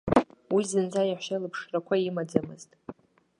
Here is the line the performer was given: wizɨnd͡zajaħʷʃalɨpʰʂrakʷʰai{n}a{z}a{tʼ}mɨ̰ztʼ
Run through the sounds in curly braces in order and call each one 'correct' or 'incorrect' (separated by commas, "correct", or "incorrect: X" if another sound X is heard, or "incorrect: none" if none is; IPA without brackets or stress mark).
incorrect: m, incorrect: d͡z, incorrect: none